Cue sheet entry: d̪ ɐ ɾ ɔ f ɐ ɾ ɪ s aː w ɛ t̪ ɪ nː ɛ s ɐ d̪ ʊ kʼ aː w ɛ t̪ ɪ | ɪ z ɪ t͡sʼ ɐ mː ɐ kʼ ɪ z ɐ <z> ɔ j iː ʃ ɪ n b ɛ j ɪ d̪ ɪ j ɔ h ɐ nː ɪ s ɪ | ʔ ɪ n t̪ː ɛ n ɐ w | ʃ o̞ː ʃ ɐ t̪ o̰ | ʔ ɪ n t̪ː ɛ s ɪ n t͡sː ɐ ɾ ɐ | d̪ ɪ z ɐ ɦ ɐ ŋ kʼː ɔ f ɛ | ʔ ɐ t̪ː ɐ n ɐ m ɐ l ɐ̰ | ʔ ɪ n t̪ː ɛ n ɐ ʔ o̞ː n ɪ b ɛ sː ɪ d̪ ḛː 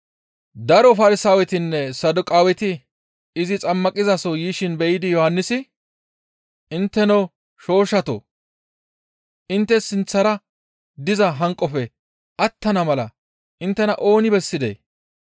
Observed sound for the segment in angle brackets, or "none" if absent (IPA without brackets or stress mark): s